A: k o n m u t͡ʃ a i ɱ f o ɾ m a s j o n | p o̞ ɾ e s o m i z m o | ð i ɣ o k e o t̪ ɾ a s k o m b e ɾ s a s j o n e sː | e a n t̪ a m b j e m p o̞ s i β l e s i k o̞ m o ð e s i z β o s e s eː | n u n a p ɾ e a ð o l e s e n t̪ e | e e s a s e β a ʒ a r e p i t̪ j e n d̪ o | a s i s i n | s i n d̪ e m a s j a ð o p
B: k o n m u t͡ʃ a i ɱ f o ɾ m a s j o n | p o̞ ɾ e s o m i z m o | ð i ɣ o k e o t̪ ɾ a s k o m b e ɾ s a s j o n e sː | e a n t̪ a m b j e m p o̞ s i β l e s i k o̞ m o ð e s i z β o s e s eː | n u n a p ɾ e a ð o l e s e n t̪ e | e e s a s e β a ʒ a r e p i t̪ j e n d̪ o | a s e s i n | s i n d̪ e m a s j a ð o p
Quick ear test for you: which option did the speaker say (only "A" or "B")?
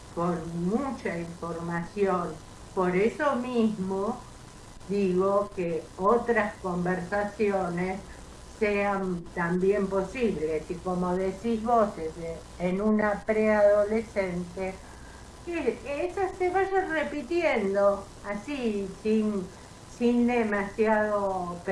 A